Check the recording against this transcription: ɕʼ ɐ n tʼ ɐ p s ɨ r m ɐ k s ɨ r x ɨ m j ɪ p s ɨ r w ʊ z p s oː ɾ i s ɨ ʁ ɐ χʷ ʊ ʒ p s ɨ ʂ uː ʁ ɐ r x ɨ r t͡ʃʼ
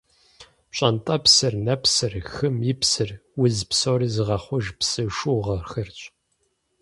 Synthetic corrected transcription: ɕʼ ɐ n tʼ ɐ p s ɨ r n ɐ p s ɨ r x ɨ m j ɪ p s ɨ r w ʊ z p s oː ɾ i z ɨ ʁ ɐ χʷ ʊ ʒ p s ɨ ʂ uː ʁ ɐ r x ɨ r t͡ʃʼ